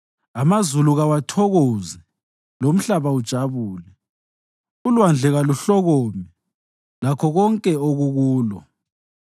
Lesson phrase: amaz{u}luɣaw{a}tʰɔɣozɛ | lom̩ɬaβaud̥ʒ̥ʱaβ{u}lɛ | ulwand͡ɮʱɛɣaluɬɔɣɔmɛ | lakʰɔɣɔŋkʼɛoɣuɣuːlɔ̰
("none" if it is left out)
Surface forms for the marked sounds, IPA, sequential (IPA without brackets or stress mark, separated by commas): u, a, uː